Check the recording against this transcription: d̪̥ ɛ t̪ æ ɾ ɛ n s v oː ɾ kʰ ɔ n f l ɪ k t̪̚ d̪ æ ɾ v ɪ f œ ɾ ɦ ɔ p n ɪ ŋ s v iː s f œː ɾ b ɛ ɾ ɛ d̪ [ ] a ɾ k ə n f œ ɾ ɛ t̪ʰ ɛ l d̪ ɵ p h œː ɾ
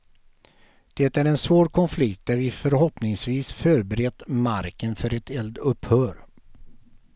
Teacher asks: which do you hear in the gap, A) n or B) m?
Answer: B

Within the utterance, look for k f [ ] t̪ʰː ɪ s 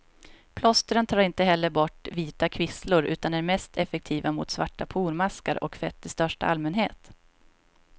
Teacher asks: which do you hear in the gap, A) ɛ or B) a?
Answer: A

